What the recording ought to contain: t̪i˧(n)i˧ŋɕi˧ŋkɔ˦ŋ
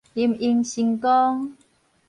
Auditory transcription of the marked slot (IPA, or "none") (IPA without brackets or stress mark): m